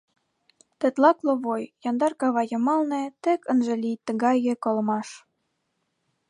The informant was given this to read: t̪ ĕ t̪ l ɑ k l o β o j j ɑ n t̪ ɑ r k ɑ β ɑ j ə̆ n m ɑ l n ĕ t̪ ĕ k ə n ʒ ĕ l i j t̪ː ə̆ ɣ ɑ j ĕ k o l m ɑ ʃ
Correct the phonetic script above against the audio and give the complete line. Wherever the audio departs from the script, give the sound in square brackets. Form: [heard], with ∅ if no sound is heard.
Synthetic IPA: t̪ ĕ t̪ l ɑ k l o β o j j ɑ n [d̪] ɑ r k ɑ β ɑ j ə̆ [∅] m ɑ l n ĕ t̪ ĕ k ə n ʒ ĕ l i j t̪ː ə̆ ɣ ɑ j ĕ k o l m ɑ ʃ